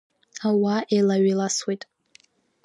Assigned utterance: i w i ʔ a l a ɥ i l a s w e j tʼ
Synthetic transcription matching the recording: a w a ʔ e l a ɥ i l a s w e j tʼ